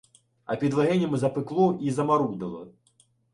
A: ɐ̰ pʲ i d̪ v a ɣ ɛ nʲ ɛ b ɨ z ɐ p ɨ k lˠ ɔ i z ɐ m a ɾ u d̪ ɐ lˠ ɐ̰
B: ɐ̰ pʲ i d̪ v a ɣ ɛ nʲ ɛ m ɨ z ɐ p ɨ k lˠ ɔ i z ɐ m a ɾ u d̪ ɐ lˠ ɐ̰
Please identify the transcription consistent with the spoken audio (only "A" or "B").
B